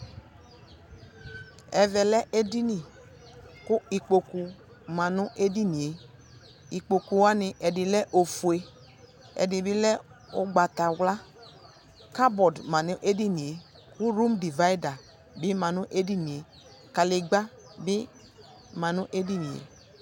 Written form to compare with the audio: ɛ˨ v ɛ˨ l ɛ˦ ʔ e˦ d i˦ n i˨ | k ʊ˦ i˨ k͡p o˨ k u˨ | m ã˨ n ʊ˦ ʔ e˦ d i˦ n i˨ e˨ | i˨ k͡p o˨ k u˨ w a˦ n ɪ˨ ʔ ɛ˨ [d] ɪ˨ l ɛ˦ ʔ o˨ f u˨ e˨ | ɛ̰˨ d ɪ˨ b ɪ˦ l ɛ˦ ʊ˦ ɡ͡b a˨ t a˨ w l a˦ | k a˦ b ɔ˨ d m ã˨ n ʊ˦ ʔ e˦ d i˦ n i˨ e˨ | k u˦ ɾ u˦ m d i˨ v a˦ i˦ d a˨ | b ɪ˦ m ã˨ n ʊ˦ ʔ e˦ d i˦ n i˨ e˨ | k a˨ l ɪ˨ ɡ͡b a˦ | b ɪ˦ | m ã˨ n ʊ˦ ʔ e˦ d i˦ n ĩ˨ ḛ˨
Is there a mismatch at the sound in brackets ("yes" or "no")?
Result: no